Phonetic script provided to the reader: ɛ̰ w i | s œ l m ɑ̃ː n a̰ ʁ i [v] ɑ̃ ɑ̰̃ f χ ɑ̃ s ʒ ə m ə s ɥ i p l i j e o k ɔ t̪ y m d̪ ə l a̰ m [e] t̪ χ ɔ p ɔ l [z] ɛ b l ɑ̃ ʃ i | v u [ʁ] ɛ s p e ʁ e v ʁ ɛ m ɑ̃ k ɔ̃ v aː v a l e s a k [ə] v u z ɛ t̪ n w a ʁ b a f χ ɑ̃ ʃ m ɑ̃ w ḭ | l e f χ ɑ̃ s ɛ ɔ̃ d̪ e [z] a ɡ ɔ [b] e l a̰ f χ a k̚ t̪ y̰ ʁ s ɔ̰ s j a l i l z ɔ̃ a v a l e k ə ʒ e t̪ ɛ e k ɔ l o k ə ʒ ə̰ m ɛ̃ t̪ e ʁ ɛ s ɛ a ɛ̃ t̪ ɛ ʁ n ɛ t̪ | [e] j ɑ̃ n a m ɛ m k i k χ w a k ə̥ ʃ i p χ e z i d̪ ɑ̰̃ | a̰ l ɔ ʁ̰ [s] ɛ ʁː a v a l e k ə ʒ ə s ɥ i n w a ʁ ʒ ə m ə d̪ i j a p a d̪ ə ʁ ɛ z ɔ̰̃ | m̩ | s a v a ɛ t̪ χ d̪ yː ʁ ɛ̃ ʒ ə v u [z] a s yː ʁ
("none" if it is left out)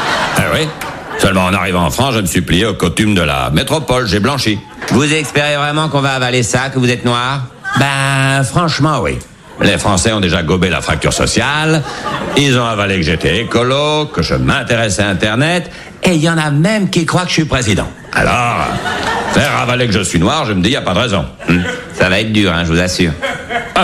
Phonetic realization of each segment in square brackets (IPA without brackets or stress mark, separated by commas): v, e, ʒ, z, ə, ʒ, b, e, f, z